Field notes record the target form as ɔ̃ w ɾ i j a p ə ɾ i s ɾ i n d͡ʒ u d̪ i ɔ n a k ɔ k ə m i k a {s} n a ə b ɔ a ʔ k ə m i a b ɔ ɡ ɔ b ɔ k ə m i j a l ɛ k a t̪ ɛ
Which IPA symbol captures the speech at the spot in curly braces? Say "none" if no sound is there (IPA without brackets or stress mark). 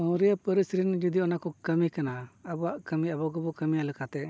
none